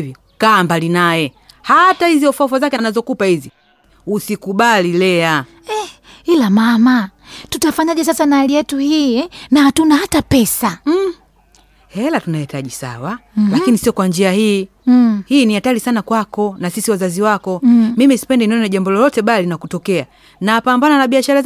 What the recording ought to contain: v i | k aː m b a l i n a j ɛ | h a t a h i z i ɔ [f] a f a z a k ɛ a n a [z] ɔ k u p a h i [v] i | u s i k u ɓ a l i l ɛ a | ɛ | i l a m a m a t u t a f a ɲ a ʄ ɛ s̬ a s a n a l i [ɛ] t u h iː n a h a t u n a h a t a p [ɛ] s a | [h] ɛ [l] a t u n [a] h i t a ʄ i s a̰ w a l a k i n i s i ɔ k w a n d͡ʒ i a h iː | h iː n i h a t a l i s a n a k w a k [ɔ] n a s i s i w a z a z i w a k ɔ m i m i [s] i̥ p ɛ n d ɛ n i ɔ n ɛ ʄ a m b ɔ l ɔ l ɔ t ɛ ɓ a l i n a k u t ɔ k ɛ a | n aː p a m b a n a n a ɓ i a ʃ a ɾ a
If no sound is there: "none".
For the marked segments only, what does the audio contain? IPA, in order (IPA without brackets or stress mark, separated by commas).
f, z, z, ɛ, ɛ, h, l, a, ɔ, s